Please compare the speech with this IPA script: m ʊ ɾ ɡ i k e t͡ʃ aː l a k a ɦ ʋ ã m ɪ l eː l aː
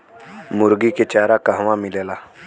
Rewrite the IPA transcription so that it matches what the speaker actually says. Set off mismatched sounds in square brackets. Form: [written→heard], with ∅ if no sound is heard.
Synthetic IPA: m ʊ ɾ ɡ i k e t͡ʃ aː [l→ɾ] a k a ɦ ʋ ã m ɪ l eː l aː